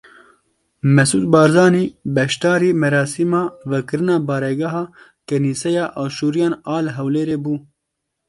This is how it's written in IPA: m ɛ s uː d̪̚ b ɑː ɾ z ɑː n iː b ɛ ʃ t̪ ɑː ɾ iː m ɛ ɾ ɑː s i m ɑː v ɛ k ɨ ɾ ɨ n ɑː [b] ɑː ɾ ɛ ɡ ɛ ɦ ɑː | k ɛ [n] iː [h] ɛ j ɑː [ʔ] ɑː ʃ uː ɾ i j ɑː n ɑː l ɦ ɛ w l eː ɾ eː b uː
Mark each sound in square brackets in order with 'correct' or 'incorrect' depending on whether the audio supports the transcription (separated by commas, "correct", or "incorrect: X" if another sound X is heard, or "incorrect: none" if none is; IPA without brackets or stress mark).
correct, correct, incorrect: s, correct